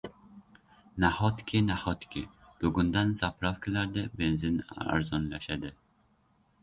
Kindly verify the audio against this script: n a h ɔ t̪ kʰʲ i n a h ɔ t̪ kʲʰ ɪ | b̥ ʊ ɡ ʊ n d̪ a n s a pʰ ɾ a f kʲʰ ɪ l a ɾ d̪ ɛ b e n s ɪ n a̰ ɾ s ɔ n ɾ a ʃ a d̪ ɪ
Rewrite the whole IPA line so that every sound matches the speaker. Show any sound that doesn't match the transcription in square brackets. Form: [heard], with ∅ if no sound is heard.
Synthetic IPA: n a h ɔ t̪ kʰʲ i n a h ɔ t̪ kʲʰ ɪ | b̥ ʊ ɡ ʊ n d̪ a n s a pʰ ɾ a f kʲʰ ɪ l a ɾ d̪ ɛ b e n [z] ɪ n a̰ ɾ [z] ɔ n [l] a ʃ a d̪ ɪ